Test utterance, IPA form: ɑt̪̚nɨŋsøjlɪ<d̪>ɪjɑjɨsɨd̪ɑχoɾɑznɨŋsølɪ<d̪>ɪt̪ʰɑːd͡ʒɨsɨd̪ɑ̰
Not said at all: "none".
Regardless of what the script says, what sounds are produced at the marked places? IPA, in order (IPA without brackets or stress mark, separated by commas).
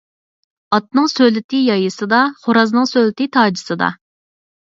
t̪, t̪